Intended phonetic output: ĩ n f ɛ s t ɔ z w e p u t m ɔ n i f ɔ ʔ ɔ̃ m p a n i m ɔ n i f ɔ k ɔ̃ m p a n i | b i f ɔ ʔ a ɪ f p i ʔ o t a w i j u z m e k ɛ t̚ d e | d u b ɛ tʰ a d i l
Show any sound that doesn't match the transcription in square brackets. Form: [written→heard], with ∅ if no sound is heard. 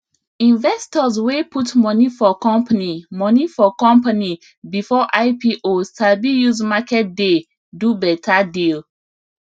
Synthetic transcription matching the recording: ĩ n [f→v] ɛ s t ɔ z w e p u t m ɔ n i f ɔ [ʔ→k] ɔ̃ m p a n i m ɔ n i f ɔ k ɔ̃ m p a n i | b i f ɔ ʔ a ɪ [f→∅] p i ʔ o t a [w→b] i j u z m [e→a] k ɛ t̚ d e | d u b ɛ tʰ a d i l